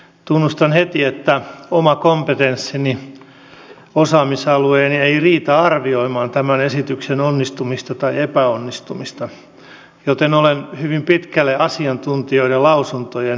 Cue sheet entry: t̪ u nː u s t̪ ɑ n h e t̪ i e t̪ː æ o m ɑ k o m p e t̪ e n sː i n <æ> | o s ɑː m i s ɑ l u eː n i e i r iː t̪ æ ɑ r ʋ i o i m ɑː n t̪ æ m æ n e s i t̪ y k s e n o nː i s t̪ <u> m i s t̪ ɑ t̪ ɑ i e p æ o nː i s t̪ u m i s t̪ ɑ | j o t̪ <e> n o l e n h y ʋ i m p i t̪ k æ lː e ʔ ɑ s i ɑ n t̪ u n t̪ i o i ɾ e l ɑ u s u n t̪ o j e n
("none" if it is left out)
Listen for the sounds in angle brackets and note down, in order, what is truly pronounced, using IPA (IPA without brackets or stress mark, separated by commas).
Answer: i, u, e